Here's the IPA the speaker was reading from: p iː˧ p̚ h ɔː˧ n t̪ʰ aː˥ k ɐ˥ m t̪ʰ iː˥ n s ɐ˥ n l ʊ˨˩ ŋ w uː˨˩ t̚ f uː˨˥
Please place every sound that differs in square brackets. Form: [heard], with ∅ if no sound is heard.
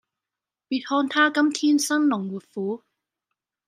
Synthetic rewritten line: p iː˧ [t̚] h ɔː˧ n t̪ʰ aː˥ k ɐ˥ m t̪ʰ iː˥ n s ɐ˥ n l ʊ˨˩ ŋ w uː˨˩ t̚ f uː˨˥